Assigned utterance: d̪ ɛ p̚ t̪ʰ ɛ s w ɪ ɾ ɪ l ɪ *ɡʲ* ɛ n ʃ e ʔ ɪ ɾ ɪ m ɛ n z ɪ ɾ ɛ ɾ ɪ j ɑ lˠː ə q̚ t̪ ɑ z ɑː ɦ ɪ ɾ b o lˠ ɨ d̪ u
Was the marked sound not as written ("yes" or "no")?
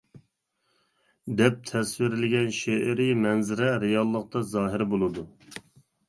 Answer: no